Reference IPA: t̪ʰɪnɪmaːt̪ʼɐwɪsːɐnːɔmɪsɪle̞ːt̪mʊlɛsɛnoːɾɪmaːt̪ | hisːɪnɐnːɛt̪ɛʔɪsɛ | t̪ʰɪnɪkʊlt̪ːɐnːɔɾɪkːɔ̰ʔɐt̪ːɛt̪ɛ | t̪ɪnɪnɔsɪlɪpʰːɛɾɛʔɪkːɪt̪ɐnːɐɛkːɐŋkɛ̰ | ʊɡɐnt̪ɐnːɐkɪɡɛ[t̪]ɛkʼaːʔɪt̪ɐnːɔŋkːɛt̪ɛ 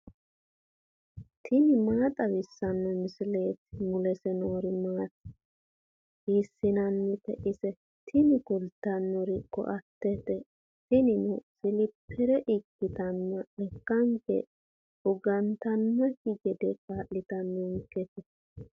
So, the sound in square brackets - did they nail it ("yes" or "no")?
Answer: no